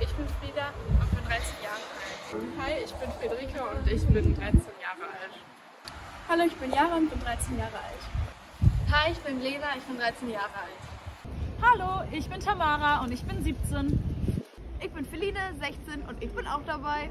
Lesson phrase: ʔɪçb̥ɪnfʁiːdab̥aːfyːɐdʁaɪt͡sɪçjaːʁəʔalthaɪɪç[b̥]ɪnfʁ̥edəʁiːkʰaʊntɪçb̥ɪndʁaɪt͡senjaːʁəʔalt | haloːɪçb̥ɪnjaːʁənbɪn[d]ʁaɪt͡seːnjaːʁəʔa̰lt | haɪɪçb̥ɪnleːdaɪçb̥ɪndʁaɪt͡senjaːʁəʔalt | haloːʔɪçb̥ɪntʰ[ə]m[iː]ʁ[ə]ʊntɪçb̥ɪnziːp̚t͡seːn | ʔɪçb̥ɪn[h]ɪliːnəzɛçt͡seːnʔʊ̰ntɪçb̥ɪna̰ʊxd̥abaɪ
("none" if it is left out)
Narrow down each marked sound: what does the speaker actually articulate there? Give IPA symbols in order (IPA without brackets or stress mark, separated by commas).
b̥, d, a, aː, a, f